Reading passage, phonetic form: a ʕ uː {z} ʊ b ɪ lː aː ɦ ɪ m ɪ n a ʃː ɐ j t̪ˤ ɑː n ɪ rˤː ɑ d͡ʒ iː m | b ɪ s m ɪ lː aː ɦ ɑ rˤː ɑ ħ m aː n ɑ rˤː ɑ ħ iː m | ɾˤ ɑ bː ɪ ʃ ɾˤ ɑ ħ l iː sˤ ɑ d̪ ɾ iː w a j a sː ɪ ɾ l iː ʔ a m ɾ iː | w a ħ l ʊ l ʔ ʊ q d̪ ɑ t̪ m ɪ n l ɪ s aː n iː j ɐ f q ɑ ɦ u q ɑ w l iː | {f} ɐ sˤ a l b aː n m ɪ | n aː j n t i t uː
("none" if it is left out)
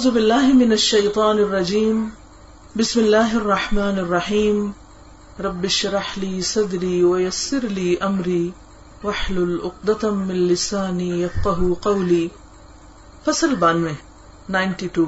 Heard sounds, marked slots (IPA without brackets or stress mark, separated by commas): z, f